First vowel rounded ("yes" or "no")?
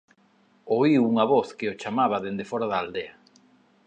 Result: yes